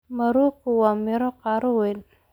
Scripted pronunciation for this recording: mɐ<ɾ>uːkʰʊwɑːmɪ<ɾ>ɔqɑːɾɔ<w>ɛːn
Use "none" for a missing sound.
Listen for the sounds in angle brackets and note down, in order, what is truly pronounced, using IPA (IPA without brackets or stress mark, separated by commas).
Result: ɾ, ɾ, w